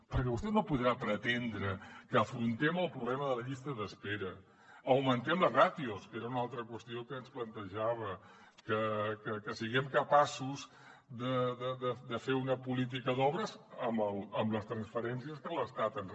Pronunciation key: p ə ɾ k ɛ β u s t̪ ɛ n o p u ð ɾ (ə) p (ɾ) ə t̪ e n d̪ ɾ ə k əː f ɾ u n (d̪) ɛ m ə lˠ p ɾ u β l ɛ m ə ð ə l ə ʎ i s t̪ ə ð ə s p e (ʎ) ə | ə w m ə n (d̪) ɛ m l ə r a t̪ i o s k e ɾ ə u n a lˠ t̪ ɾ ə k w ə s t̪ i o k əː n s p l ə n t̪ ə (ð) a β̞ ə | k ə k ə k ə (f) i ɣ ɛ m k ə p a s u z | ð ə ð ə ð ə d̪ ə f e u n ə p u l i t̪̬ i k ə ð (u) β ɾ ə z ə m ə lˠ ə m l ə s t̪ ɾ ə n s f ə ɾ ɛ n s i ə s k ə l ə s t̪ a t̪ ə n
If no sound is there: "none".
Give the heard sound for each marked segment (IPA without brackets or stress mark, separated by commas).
a, ɾ, t̪, ɾ, t̪, ʒ, s, ɔ